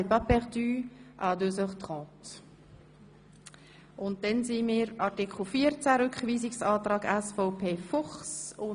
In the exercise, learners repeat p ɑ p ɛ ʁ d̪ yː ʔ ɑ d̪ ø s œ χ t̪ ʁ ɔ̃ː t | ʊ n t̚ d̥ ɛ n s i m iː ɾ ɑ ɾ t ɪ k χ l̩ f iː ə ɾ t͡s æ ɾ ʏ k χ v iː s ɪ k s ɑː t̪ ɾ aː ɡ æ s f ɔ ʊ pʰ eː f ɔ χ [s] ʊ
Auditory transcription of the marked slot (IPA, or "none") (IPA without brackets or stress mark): s